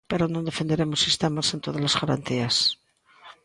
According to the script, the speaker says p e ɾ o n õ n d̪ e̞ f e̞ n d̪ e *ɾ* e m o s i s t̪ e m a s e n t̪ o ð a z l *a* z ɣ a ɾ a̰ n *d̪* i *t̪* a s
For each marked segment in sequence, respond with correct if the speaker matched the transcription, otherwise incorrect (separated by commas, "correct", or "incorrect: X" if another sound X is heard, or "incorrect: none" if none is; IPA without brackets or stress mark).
correct, correct, incorrect: t̪, incorrect: none